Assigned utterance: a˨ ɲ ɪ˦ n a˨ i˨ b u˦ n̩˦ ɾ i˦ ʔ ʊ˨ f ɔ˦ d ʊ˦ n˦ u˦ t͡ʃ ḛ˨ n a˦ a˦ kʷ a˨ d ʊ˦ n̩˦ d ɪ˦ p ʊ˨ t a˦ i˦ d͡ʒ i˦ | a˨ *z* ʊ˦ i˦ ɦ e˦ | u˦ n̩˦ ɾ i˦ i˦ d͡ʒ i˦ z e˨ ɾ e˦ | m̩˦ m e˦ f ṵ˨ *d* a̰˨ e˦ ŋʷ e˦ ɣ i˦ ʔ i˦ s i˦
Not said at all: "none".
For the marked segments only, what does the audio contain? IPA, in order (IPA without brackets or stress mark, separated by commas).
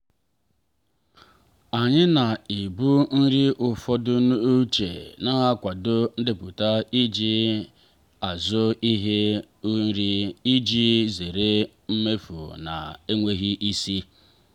z, n